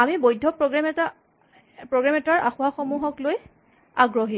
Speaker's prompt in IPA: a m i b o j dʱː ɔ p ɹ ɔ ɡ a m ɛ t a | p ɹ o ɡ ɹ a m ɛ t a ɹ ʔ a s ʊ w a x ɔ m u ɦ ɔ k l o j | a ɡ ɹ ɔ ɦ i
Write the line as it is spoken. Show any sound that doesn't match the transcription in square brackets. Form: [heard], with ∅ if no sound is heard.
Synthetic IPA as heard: a m i b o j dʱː ɔ p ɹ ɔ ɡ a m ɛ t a | p ɹ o ɡ ɹ a m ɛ t a ɹ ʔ a [x] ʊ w a x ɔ m u ɦ ɔ k l o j | a ɡ ɹ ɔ ɦ i